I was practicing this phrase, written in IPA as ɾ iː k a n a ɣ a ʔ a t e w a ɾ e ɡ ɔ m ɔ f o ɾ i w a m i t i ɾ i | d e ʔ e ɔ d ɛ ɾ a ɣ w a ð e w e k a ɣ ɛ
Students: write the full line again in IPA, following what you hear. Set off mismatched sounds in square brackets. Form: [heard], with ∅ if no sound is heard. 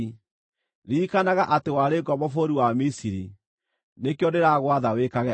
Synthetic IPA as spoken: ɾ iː k a n a ɣ a ʔ a t e w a ɾ e ɡ ɔ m ɔ f o ɾ i w a m i [s] i ɾ i | [n] e [k] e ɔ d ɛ ɾ a ɣ w a ð [a] w e k a ɣ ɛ